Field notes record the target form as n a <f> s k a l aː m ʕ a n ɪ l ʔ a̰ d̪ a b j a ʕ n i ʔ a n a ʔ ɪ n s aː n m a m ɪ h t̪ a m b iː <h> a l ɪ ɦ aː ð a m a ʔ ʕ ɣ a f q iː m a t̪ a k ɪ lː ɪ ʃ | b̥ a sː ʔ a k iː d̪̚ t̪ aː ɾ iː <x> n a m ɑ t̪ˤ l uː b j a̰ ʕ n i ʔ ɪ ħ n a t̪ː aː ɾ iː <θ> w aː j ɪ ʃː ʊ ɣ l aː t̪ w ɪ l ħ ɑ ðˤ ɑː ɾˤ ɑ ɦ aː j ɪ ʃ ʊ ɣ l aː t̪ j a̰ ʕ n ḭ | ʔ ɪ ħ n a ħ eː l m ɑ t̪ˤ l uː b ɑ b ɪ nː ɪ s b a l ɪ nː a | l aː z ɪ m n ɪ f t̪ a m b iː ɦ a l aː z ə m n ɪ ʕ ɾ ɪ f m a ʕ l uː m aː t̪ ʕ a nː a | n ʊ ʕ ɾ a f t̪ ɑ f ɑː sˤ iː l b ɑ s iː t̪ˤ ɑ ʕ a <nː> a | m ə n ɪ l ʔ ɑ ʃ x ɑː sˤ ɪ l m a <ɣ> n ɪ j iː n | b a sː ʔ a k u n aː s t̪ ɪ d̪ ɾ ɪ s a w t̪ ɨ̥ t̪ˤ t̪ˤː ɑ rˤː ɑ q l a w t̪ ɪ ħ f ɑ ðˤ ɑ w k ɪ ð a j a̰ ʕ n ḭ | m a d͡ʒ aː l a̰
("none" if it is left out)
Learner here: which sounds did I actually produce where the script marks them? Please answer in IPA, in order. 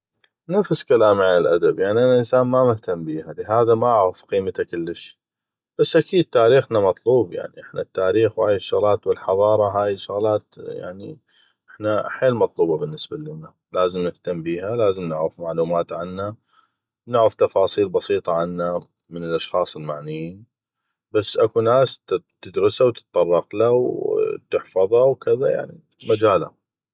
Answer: f, h, x, x, nː, ʕ

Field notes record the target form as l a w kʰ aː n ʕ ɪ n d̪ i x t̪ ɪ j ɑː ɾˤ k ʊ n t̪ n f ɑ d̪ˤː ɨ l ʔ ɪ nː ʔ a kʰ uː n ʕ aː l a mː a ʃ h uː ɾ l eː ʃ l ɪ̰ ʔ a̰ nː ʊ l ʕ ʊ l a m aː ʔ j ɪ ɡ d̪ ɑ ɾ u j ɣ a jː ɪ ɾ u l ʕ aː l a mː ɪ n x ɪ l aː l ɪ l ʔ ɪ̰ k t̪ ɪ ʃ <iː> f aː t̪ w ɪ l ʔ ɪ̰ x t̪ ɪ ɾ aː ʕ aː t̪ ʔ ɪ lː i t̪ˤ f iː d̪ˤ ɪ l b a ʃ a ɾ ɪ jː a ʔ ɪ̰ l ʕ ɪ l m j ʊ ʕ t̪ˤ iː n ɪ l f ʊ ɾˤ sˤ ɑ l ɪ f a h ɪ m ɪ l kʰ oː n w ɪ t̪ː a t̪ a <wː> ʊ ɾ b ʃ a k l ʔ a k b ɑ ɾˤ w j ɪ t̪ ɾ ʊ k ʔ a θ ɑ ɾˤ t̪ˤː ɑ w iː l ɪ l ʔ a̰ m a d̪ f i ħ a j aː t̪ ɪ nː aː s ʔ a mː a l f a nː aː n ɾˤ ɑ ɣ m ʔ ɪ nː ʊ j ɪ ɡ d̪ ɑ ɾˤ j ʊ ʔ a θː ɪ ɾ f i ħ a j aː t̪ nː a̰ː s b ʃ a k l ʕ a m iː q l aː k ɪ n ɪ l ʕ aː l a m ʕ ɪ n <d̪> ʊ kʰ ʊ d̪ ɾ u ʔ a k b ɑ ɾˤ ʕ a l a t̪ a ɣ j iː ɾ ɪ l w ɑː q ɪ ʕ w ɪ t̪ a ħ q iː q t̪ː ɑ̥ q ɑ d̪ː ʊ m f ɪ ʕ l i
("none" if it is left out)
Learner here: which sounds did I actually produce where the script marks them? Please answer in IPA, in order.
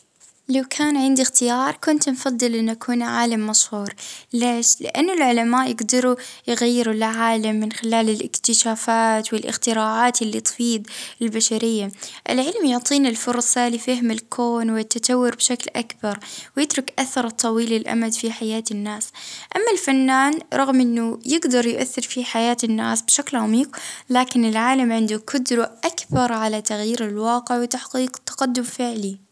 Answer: aː, wː, d̪

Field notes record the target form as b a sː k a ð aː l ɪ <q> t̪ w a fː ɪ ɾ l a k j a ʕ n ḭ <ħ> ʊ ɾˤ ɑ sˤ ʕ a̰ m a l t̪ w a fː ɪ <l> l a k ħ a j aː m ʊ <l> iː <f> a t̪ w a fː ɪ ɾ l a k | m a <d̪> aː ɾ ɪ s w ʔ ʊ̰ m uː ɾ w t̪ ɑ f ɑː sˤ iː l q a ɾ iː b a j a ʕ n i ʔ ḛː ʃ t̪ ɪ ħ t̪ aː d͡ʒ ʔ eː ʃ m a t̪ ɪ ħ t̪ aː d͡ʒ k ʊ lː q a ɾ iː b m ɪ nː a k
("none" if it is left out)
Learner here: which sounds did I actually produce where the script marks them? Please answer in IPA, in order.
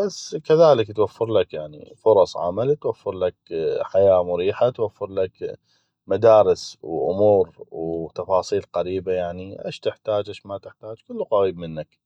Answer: k, f, ɾ, ɾ, ħ, d̪

